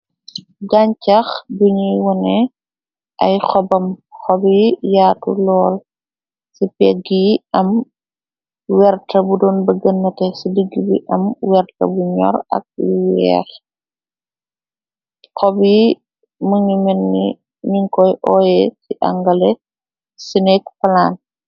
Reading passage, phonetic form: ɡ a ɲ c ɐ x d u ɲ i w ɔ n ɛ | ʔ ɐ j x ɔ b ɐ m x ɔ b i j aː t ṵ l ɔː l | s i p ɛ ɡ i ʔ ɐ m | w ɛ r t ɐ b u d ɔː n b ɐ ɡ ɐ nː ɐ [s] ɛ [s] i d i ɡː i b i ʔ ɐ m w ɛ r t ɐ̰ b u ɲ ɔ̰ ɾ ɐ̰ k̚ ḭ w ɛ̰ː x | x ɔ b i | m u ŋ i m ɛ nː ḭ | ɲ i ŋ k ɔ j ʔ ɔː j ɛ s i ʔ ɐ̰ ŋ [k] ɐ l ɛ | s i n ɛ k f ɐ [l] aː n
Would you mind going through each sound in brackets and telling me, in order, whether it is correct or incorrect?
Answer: incorrect: t, correct, incorrect: ɡ, correct

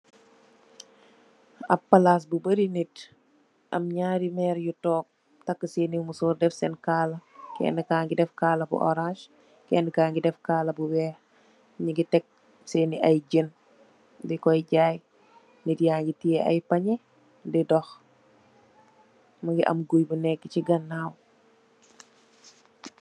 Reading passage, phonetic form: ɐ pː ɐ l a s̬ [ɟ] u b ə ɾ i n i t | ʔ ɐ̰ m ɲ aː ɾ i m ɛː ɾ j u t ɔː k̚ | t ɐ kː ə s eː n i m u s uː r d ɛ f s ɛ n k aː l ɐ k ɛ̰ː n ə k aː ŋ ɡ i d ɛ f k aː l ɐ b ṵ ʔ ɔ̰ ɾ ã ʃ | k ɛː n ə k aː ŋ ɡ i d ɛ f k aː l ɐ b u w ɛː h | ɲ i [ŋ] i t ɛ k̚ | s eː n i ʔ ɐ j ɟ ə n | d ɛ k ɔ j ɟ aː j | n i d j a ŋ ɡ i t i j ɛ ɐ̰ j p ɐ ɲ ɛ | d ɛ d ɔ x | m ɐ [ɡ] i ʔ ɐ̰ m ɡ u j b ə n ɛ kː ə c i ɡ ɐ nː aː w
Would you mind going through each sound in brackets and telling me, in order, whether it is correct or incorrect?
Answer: incorrect: b, incorrect: ɡ, correct

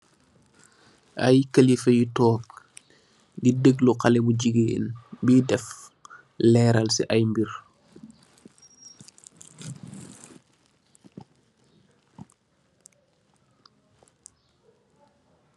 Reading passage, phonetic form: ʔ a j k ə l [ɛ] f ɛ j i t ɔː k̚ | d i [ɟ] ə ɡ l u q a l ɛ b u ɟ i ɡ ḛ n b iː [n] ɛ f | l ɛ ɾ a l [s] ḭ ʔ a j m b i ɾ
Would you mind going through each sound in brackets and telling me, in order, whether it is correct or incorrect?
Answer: incorrect: i, incorrect: d, incorrect: d, correct

